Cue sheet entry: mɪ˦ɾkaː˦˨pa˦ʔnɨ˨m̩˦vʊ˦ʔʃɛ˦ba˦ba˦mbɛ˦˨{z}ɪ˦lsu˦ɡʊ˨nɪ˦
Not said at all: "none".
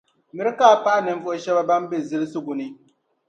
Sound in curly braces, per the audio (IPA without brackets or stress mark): z